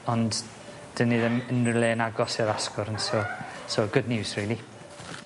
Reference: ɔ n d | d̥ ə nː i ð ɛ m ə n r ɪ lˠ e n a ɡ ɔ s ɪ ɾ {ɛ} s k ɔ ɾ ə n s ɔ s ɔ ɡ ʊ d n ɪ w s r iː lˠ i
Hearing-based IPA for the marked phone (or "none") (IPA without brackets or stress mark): a